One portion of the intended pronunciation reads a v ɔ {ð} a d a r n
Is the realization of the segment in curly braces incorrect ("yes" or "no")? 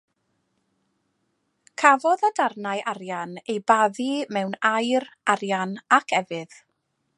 no